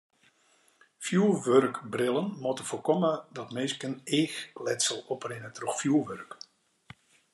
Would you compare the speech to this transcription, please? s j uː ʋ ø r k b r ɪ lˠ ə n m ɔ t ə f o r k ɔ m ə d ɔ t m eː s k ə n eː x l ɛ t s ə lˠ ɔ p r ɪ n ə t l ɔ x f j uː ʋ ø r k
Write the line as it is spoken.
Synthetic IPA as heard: f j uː ʋ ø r k b r ɪ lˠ ə n m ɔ t ə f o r k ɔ m ə d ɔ t m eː s k ə n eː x l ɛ t s ə lˠ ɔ p r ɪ n ə t r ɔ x f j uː ʋ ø r k